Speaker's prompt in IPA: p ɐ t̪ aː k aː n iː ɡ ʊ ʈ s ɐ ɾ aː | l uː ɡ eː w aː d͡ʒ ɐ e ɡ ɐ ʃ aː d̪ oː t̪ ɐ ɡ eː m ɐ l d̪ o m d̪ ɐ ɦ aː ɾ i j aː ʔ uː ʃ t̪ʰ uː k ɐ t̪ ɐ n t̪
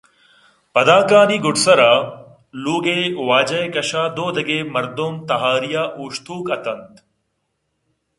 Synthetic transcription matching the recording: p ɐ d̪ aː k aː n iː ɡ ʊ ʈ s ɐ ɾ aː | l uː ɡ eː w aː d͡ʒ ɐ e k ɐ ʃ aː d̪ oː d̪ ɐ ɡ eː m ɐ ɾ d̪ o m t̪ ɐ ɦ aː ɾ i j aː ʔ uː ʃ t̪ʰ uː k ɐ t̪ ɐ n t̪

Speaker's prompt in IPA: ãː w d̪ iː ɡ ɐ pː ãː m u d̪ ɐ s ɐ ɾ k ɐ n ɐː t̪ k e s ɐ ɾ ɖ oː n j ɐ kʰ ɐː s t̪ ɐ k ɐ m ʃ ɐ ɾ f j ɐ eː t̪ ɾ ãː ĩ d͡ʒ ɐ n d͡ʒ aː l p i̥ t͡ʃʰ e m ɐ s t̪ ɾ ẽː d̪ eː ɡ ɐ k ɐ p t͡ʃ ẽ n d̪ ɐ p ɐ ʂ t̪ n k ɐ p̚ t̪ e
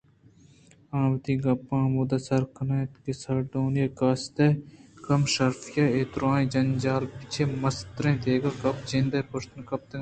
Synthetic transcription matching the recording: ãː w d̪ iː ɡ ɐ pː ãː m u d̪ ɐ s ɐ ɾ k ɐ n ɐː t̪ k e s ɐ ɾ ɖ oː n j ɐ k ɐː s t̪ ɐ k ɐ m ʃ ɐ ɾ f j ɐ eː t̪ ɾ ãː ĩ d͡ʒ ɐ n d͡ʒ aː l p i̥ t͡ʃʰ e m ɐ s t̪ ɾ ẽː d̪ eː ɡ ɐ k ɐ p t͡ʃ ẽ n d̪ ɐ p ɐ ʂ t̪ n k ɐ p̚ t̪ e

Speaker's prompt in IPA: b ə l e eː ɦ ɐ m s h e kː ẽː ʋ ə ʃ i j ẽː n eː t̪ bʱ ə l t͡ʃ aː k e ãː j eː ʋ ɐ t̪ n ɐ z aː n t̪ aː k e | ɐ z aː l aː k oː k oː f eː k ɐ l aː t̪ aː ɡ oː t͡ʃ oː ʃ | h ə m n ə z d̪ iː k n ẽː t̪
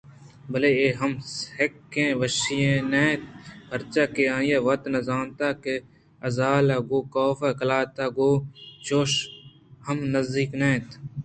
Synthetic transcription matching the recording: b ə l e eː ɦ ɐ m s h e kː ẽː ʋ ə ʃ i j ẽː n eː t̪ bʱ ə ɾ t͡ʃ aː k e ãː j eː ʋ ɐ t̪ n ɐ z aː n t̪ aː k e | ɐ z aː l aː ɡ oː k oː f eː k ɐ l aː t̪ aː ɡ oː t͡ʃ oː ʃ | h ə m n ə z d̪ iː k n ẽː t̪

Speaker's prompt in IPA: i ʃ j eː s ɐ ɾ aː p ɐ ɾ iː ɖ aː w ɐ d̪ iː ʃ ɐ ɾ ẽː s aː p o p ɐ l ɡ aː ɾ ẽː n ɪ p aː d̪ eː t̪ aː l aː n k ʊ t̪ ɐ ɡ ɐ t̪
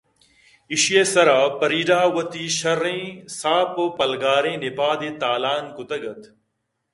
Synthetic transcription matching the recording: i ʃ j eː s ɐ ɾ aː p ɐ ɾ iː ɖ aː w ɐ t̪ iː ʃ ɐ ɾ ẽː s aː p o p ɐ l ɡ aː ɾ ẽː n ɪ p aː d̪ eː t̪ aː l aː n k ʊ t̪ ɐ ɡ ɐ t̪

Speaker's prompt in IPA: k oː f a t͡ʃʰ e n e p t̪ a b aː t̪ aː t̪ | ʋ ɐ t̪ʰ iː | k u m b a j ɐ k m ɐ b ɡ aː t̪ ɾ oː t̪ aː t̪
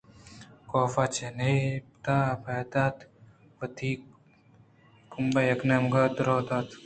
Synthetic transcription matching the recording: k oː f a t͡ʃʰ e n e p t̪ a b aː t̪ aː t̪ | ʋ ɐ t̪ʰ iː | k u m b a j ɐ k n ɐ m ɡ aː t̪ ɾ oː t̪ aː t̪

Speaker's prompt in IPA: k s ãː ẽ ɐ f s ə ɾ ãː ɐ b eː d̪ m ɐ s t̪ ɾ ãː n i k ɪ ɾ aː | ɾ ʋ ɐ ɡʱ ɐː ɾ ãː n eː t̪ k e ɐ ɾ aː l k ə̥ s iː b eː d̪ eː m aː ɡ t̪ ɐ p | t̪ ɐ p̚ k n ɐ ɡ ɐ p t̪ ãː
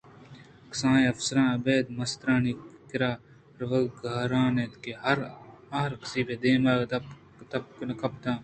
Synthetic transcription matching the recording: k s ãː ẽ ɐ f s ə ɾ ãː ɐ b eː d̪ m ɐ s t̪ ɾ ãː n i k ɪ ɾ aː | ɾ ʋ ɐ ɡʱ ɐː ɾ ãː n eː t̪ k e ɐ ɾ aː ɾ k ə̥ s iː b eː d̪ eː m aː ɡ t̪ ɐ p | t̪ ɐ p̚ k n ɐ k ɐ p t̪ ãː

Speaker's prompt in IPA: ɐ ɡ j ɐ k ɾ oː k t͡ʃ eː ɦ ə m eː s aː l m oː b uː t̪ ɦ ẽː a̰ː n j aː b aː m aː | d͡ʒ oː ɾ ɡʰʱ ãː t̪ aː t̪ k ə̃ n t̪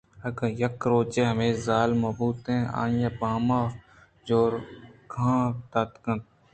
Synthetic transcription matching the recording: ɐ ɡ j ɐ k ɾ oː t͡ʃ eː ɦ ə m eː z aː l m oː b uː t̪ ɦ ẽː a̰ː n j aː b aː m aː | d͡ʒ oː ɾ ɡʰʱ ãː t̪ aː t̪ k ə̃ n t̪

